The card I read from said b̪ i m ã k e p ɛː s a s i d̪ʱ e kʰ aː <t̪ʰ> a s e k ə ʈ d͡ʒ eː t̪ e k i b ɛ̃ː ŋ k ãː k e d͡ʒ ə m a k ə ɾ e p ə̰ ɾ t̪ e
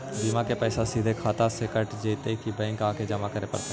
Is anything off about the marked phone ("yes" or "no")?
yes